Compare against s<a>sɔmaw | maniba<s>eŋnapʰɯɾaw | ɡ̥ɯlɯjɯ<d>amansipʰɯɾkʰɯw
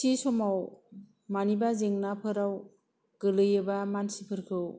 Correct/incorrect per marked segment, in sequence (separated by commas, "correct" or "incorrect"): incorrect, incorrect, incorrect